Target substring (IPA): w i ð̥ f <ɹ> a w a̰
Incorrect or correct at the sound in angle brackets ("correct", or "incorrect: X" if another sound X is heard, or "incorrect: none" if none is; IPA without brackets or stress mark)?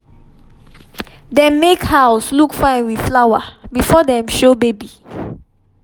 incorrect: l